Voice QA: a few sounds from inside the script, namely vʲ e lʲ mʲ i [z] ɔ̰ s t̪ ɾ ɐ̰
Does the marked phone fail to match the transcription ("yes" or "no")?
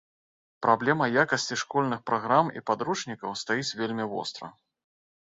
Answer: yes